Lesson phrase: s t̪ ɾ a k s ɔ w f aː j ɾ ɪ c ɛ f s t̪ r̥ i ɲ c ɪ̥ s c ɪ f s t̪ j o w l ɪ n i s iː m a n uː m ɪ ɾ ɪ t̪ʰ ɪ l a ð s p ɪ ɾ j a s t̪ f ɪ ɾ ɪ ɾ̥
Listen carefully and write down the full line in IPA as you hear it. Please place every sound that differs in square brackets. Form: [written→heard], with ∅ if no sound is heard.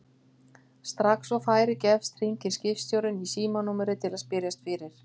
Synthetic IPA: s t̪ ɾ a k s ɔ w f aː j ɾ ɪ c ɛ f s t̪ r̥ i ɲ c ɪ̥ s c ɪ f s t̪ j o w [l→ɾ] ɪ n i s iː m a n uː m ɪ ɾ ɪ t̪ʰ ɪ l a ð s p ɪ ɾ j a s t̪ f ɪ ɾ ɪ ɾ̥